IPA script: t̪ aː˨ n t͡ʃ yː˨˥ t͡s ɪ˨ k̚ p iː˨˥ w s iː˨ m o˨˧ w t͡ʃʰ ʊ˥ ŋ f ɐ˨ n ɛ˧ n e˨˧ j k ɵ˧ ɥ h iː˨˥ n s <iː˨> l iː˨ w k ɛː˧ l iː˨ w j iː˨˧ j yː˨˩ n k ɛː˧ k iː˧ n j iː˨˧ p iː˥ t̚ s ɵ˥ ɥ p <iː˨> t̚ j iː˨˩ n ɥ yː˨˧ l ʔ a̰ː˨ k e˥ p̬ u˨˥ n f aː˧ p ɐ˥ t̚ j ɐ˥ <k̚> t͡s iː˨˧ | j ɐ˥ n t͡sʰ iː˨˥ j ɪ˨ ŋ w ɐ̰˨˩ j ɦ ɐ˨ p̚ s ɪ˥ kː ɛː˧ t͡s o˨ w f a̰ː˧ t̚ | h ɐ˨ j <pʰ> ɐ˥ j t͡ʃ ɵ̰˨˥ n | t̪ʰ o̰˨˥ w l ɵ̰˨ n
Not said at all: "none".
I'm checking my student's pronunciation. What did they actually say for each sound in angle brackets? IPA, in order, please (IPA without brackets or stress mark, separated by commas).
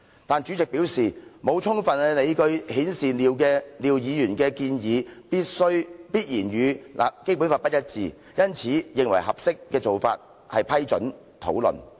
iː˨, iː˥, t̚, pʰ